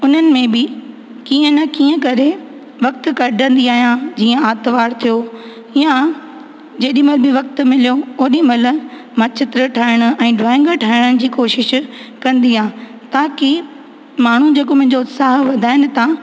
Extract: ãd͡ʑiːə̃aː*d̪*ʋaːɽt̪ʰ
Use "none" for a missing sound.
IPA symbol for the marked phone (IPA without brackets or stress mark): t̪